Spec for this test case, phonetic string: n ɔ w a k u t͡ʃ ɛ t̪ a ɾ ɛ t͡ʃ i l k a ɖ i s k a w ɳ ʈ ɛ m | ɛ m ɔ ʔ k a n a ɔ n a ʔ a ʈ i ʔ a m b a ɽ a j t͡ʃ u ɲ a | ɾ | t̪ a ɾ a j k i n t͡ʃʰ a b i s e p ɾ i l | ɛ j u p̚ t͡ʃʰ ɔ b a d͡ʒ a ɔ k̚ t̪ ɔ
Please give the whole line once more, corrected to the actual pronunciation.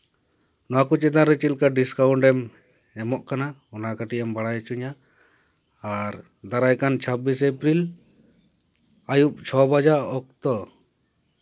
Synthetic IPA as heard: n ɔ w a k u t͡ʃ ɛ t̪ a ɾ ɛ t͡ʃ i l k a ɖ i s k a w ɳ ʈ ɛ m | ɛ m ɔ ʔ k a n a ɔ n a k a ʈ i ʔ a m b a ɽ a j t͡ʃ u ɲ a | ɾ | d̪ a ɾ a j k a n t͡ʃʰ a b i s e p ɾ i l | a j u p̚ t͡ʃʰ ɔ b a d͡ʒ a ɔ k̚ t̪ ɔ